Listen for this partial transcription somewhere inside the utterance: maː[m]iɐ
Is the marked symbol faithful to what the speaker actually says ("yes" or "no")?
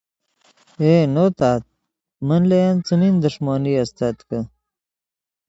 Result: no